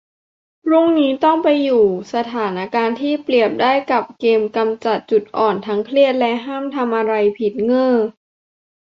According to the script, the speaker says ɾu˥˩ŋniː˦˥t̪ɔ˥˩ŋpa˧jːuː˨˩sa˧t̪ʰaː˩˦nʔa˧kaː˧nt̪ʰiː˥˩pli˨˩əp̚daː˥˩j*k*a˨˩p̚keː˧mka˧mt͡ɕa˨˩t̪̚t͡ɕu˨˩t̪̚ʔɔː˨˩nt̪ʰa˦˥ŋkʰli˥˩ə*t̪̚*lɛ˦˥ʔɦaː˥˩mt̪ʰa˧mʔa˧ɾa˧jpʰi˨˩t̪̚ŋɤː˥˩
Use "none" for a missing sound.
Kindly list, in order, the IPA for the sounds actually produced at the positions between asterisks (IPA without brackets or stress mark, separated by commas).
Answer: k, t̪̚